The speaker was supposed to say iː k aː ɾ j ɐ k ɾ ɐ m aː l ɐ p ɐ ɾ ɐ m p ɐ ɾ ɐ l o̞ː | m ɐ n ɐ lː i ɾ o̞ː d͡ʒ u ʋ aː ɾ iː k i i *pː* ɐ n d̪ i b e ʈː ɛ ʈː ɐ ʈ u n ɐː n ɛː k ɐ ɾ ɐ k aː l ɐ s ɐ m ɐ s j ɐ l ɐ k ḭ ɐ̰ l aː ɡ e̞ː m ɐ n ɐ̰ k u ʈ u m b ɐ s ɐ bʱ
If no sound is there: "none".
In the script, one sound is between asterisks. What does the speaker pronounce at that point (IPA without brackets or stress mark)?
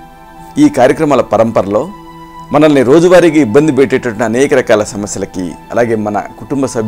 bː